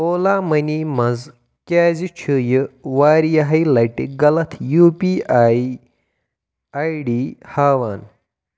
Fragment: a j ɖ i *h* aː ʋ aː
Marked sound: correct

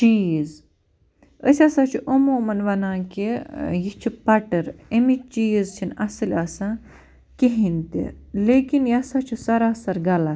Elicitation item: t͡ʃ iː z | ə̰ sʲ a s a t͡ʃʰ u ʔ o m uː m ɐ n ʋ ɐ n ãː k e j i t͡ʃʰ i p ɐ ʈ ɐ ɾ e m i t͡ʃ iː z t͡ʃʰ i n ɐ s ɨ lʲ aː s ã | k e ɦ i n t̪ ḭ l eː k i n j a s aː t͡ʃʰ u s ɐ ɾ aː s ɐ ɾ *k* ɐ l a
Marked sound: incorrect: ɡ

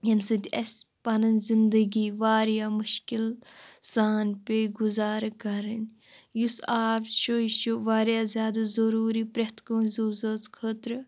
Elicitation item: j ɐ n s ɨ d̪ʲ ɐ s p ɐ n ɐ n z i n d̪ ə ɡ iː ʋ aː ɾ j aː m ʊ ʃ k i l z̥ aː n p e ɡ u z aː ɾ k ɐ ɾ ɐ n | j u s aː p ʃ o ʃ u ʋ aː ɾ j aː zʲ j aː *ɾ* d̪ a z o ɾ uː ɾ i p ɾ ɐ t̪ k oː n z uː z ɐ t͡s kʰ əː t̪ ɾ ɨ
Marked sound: incorrect: none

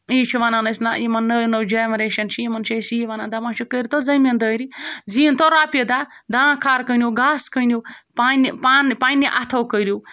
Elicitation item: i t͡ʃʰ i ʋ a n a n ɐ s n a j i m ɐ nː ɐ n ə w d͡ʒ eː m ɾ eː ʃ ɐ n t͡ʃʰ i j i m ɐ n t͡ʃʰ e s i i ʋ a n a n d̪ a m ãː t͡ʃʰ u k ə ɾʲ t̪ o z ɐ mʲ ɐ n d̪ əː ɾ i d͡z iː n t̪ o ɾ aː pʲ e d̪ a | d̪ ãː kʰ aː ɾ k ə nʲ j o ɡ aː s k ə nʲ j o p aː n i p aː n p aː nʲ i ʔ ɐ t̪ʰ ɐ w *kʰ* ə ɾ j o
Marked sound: incorrect: k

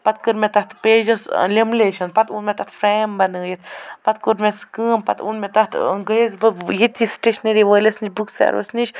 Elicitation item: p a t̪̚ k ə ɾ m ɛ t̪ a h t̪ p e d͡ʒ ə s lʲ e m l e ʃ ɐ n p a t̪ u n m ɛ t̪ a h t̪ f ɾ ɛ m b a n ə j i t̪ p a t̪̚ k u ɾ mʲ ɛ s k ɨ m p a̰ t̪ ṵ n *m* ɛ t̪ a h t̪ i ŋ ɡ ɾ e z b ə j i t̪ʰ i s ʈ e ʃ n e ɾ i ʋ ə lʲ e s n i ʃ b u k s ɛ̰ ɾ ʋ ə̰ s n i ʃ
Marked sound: correct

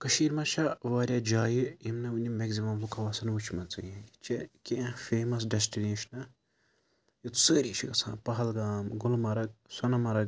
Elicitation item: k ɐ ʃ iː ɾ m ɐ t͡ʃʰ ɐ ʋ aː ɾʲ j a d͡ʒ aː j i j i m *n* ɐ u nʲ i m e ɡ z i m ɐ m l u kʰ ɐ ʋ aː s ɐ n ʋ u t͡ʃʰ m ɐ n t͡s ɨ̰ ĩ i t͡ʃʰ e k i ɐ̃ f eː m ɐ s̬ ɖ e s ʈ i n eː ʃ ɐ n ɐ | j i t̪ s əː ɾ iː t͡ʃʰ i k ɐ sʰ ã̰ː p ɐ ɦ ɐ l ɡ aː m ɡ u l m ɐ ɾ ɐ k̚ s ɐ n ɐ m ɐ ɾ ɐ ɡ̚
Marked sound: correct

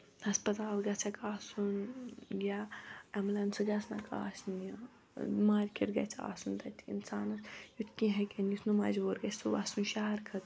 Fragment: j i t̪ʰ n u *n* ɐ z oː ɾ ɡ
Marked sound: incorrect: m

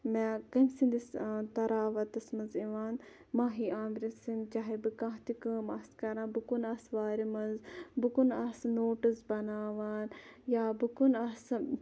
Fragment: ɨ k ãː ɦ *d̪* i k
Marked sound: incorrect: t̪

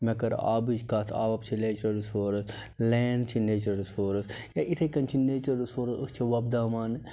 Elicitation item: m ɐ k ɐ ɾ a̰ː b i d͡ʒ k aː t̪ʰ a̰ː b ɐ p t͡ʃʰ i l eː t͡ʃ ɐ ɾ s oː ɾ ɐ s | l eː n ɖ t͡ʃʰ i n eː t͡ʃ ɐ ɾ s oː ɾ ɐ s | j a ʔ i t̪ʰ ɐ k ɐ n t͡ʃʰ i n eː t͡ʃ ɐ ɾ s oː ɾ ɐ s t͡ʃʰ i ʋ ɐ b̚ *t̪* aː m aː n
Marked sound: incorrect: d̪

